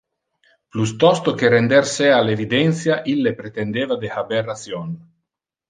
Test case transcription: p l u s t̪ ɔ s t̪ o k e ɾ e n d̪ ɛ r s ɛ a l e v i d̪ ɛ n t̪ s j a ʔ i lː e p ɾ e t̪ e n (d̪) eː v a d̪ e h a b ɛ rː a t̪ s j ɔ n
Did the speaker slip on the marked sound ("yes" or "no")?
no